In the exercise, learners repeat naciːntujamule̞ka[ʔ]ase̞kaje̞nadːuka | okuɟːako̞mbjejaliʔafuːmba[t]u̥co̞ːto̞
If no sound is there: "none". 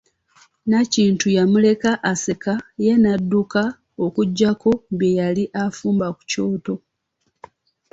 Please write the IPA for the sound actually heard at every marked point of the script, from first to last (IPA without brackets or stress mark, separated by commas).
ʔ, k